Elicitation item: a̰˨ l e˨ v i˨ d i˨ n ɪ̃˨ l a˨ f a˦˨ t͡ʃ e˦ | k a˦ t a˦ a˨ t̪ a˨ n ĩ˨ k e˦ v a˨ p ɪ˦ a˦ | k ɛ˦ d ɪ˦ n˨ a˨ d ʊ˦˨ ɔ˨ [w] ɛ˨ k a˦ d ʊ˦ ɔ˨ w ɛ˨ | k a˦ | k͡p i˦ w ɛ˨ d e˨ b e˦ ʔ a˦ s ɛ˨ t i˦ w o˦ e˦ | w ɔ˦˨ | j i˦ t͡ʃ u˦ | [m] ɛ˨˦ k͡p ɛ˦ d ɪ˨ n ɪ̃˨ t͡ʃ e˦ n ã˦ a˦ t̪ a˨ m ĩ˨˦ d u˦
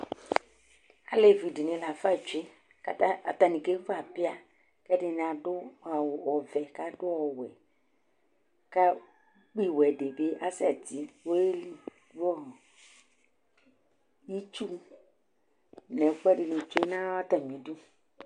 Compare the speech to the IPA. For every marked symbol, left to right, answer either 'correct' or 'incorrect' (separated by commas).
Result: incorrect, incorrect